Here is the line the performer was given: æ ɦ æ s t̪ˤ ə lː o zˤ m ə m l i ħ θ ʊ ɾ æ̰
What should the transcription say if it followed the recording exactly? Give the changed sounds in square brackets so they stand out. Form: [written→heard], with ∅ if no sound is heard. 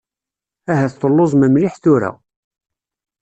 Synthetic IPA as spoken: æ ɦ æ [s→θ] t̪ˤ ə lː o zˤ m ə m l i ħ θ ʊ ɾ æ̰